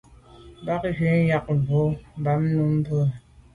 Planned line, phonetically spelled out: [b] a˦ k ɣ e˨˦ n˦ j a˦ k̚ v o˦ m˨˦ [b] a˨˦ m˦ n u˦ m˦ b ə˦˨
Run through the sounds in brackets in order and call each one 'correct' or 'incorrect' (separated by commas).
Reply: correct, correct